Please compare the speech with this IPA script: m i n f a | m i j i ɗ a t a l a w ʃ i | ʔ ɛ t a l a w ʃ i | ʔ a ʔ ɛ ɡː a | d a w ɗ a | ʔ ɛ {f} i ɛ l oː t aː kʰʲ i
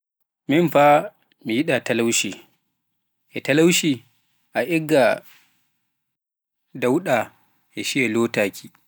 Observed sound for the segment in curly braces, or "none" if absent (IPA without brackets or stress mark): ʃ